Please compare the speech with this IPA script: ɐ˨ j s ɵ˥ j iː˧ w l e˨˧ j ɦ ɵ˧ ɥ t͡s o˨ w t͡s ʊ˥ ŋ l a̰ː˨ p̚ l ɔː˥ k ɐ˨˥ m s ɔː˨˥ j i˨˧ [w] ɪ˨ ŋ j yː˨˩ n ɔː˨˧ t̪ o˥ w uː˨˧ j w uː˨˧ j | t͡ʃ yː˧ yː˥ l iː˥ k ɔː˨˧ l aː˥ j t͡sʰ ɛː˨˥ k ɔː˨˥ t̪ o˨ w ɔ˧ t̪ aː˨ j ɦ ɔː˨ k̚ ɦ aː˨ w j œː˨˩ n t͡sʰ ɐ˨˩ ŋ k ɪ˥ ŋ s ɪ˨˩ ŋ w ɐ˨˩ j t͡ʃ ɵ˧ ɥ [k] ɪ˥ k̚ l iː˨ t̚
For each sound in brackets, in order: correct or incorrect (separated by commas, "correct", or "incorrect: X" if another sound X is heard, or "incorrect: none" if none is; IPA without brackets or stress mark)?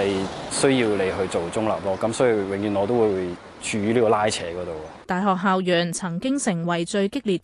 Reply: correct, correct